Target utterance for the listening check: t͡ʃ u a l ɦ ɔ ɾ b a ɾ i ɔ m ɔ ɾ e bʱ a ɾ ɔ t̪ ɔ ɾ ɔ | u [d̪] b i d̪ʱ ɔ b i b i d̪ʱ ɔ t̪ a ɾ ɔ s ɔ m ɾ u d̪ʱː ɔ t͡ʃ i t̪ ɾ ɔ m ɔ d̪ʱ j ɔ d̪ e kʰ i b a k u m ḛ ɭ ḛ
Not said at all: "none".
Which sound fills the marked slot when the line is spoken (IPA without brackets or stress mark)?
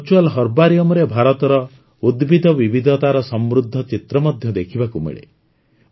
d̪